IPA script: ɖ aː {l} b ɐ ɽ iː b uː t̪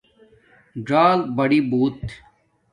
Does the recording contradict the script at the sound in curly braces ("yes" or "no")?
no